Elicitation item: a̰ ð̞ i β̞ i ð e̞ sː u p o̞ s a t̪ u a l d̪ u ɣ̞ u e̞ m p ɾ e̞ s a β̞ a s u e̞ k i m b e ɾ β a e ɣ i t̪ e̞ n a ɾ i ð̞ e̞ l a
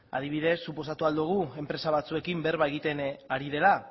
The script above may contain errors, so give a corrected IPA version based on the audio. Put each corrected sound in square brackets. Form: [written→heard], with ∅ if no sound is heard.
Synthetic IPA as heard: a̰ ð̞ i β̞ i ð e̞ sː u p o̞ s a t̪ u a l d̪ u ɣ̞ u e̞ m p ɾ e̞ s a β̞ a [s→t͡s] u e̞ k i m b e ɾ β a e ɣ i t̪ e̞ n a ɾ i ð̞ e̞ l a